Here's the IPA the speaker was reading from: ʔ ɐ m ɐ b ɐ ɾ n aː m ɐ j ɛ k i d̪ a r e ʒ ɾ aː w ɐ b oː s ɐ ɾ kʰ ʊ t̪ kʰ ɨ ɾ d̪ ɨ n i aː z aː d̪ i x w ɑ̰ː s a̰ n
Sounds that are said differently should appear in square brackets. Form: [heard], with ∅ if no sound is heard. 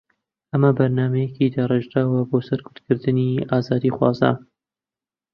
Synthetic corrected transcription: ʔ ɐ m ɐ b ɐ ɾ n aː m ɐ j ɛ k i d̪ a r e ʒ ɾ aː w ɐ b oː s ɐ ɾ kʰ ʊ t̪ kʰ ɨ ɾ d̪ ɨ n i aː z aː d̪ i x w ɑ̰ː [z] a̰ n

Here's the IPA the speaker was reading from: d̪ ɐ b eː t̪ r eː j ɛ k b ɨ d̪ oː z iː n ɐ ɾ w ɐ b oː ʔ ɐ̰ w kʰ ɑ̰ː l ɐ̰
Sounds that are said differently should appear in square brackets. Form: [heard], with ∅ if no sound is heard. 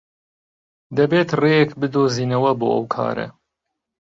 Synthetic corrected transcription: d̪ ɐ b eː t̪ r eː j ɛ k b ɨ d̪ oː z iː n ɐ [∅] w ɐ b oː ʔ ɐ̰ w kʰ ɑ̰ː [ɾ] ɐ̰

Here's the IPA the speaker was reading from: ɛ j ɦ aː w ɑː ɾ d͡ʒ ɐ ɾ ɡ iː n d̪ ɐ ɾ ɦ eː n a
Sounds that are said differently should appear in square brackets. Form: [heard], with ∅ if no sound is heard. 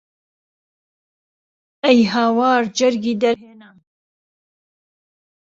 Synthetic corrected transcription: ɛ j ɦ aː w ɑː ɾ d͡ʒ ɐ ɾ ɡ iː [∅] d̪ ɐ ɾ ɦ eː n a

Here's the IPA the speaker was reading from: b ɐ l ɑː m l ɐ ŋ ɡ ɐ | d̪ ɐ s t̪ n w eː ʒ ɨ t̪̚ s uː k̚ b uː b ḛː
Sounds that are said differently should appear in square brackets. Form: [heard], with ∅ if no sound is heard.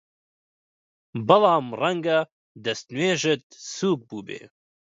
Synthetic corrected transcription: b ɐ l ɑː m [r] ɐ ŋ ɡ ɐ | d̪ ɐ s t̪ n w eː ʒ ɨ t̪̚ s uː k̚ b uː b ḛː

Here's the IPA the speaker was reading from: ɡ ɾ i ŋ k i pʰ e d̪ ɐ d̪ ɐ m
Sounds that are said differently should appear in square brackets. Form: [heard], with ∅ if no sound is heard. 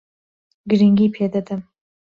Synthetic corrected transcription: ɡ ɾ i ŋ [ɡ] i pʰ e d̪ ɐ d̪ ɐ m

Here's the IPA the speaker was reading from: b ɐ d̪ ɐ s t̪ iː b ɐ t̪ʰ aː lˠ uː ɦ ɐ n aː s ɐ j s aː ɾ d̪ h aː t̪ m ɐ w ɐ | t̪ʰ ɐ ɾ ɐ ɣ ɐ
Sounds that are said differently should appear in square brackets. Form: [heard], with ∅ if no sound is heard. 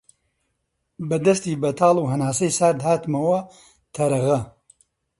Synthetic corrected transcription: b ɐ d̪ ɐ s t̪ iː b ɐ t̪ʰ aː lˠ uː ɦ ɐ n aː s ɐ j s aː ɾ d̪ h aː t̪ m ɐ w ɐ | t̪ʰ ɐ ɾ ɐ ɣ ɐ

